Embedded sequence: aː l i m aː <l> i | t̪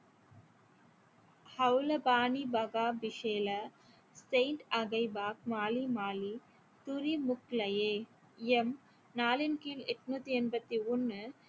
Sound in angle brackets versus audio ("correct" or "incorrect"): correct